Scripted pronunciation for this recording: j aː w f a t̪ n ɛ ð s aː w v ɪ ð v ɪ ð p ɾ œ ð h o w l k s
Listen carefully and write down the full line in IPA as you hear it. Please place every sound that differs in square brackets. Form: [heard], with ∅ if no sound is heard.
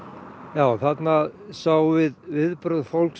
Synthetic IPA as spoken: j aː w [θ] a t̪ n [a] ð s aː w v ɪ ð v ɪ ð p ɾ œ ð [f] o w l k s